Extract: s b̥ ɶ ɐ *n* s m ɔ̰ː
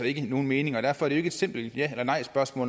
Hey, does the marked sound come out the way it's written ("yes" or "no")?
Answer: no